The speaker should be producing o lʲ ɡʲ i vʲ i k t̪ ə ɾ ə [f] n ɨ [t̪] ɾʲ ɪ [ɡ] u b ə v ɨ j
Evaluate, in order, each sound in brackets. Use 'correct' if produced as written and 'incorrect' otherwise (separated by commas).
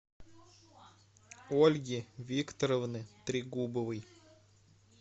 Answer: incorrect, correct, correct